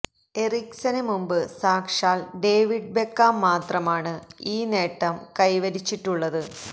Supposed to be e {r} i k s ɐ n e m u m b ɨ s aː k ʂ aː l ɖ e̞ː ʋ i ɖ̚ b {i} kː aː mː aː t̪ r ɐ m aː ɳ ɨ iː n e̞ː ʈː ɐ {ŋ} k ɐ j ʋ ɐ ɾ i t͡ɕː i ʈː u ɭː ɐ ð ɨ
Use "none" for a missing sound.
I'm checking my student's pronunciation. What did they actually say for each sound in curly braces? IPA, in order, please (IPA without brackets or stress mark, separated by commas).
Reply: r, e, m